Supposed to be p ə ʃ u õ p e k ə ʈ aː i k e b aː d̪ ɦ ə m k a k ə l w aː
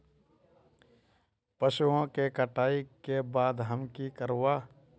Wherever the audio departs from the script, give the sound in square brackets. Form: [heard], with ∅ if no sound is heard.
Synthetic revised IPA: p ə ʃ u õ [k] e k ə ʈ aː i k e b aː d̪ ɦ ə m k [i] k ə [ɾ] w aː